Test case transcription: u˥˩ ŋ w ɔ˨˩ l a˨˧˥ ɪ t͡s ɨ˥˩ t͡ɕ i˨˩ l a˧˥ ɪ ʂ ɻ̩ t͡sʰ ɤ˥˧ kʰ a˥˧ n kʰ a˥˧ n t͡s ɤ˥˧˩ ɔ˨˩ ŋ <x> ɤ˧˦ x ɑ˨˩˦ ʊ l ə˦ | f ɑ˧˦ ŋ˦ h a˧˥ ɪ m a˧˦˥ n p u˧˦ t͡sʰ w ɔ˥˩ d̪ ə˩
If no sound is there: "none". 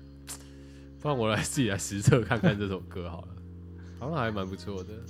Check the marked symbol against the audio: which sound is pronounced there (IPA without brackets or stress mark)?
k